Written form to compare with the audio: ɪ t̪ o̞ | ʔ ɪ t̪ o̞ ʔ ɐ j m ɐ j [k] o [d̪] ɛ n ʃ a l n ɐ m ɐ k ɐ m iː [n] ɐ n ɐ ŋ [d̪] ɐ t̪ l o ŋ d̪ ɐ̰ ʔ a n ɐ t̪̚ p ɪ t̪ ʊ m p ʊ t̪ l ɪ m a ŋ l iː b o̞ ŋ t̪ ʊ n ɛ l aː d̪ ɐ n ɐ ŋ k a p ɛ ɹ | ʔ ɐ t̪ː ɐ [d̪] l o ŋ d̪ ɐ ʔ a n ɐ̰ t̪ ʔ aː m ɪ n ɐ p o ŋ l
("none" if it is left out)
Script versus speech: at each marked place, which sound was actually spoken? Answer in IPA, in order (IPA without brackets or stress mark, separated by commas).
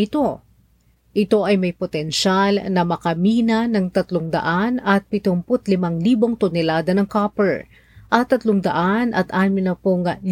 p, t̪, n, t̪, t̪